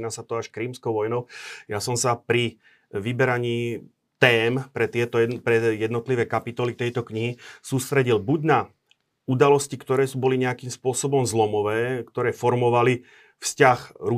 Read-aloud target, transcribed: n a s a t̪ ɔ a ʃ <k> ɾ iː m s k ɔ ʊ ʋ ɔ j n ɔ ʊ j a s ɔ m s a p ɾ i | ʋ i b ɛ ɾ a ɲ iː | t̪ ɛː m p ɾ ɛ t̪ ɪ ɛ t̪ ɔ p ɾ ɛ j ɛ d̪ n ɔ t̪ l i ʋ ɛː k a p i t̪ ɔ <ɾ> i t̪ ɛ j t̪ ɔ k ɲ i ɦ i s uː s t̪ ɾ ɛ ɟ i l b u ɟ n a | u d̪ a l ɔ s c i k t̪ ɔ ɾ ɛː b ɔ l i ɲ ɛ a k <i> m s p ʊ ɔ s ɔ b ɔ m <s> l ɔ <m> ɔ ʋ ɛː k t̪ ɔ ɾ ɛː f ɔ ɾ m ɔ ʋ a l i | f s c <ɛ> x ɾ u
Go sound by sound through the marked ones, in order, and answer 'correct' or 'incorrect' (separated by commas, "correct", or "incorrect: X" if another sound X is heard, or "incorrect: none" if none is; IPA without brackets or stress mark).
correct, incorrect: l, incorrect: iː, incorrect: z, correct, incorrect: a